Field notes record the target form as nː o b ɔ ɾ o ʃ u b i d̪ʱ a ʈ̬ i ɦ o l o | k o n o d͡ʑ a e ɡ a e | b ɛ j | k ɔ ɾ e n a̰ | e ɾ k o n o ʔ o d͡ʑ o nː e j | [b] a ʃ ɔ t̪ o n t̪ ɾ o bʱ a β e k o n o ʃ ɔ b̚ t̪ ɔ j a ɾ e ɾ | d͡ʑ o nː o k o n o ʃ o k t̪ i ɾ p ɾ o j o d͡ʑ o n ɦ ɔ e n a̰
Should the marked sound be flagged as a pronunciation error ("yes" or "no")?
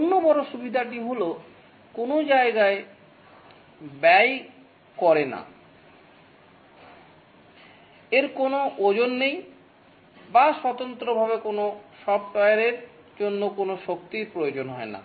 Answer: no